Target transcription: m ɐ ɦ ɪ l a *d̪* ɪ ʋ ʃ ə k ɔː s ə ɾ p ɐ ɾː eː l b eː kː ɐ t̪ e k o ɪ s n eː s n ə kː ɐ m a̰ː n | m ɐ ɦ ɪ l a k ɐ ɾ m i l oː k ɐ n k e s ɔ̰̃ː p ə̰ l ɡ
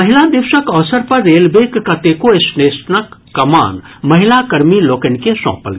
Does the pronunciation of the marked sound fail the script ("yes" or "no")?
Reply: no